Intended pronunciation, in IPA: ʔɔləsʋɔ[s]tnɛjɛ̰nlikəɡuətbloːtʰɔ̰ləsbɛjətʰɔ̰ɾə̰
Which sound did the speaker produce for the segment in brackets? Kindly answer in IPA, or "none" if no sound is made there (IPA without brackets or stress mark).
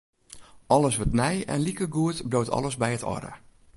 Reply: none